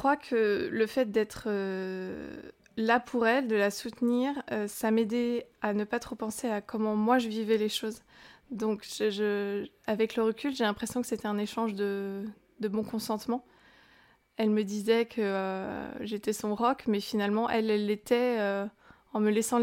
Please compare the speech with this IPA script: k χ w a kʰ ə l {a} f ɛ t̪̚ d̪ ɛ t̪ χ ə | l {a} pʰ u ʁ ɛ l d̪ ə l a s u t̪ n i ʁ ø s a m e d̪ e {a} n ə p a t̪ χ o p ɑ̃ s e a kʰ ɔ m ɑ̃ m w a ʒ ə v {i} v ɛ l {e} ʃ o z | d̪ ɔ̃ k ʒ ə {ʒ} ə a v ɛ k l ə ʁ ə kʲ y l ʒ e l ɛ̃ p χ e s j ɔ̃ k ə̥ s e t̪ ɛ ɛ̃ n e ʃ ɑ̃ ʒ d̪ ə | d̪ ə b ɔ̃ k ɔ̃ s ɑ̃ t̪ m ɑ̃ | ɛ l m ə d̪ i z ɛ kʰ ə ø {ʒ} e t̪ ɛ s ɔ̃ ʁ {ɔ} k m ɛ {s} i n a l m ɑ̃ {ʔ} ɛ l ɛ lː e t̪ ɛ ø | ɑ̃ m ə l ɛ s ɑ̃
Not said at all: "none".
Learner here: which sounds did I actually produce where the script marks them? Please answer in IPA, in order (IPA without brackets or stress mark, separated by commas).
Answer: ə, a, a, i, e, ʒ, ʒ, ɔ, f, ʔ